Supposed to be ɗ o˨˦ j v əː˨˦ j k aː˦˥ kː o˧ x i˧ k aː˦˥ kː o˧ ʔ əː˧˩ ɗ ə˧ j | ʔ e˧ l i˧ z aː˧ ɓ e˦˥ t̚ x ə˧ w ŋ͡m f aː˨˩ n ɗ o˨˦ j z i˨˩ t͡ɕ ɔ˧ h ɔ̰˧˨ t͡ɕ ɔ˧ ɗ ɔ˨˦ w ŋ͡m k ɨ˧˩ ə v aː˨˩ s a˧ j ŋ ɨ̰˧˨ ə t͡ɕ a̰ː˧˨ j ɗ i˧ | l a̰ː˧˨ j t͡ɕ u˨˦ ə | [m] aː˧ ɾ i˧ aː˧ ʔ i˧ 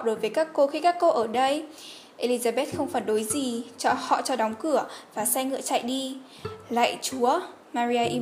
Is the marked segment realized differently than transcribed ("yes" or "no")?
no